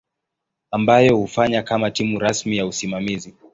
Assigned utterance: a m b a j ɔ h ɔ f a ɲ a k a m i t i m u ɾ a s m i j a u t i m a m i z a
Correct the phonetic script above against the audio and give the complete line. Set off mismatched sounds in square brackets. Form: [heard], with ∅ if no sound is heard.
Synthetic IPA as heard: a m b a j ɔ h [u] f a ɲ a k a m [a] t i m u ɾ a s m i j a u [s] i m a m i z [i]